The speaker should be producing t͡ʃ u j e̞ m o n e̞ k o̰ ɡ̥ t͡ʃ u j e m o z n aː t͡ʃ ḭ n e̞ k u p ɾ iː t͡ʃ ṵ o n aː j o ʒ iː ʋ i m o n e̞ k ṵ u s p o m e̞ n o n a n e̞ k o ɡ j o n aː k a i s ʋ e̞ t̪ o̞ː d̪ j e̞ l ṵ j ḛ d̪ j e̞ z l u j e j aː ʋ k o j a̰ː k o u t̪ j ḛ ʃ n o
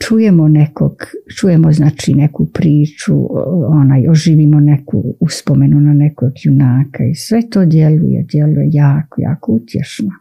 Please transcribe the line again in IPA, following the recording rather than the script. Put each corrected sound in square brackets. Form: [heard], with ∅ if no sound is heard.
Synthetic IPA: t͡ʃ u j e̞ m o n e̞ k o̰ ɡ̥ t͡ʃ u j e m o z n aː t͡ʃ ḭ n e̞ k u p ɾ iː t͡ʃ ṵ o n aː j o ʒ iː ʋ i m o n e̞ k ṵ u s p o m e̞ n [u] n a n e̞ k o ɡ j [u] n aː k a i s ʋ e̞ t̪ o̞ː d̪ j e̞ l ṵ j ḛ d̪ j e̞ [∅] l u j e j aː [∅] k o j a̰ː k o u t̪ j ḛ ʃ n o